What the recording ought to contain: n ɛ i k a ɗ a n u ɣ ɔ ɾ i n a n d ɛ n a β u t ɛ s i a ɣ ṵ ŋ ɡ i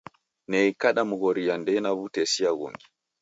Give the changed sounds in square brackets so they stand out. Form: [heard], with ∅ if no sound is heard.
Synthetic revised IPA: n ɛ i k a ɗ a [m] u ɣ ɔ ɾ i [∅] a n d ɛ n a β u t ɛ s i a ɣ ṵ ŋ ɡ i